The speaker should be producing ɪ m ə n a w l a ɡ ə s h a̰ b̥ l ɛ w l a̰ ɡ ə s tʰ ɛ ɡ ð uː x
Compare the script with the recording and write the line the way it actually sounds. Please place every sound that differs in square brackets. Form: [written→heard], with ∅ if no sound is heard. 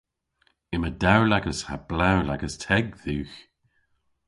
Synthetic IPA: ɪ m ə [n→d] a w l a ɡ ə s h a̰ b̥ l [ɛ→a] w l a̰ ɡ ə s tʰ ɛ ɡ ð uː x